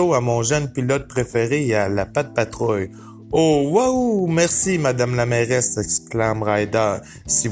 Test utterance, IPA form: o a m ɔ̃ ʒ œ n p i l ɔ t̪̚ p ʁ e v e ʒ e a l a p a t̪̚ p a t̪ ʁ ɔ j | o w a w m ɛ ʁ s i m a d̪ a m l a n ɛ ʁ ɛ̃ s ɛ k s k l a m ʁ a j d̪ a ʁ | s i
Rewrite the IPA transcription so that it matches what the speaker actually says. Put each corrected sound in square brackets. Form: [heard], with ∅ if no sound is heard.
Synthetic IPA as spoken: o a m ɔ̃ ʒ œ n p i l ɔ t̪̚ p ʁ e [f] e [ʁ] e a l a p a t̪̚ p a t̪ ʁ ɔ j | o w a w m ɛ ʁ s i m a d̪ a m l a [m] ɛ ʁ [ɛ] s ɛ k s k l a m ʁ a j d̪ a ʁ | s i